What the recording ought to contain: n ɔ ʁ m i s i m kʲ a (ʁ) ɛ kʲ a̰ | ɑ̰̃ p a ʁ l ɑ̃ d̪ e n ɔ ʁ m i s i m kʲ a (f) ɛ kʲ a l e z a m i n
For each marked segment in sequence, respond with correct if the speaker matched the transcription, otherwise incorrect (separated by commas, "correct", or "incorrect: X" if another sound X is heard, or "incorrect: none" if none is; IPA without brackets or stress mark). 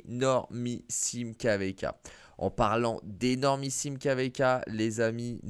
incorrect: v, incorrect: v